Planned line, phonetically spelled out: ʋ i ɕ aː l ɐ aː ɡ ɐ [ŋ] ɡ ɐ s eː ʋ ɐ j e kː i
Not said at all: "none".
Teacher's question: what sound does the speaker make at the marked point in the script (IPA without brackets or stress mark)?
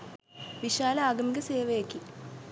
m